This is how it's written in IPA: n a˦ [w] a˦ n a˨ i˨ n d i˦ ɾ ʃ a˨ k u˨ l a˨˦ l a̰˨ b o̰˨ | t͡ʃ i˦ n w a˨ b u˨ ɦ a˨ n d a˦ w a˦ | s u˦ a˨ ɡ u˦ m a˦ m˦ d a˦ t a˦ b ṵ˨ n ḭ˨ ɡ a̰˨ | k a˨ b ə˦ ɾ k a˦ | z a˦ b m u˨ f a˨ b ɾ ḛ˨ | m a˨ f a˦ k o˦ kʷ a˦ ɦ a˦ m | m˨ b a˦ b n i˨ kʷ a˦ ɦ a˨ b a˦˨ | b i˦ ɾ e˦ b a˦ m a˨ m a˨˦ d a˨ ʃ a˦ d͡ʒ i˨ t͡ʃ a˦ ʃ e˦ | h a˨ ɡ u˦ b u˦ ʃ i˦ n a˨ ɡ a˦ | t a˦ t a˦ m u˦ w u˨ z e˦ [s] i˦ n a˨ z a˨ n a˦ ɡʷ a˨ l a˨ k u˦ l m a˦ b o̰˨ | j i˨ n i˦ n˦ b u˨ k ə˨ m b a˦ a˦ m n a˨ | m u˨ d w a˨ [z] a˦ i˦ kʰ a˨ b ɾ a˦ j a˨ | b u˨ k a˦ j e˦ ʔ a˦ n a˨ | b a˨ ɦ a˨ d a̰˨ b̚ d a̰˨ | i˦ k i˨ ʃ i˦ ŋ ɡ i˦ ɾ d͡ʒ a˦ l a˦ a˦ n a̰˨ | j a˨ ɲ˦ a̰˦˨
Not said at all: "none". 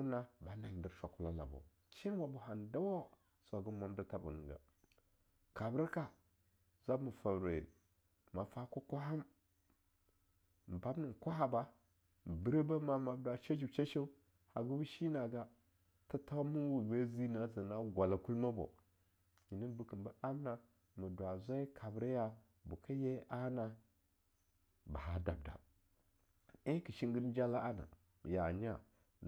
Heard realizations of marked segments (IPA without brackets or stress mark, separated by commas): b, z, z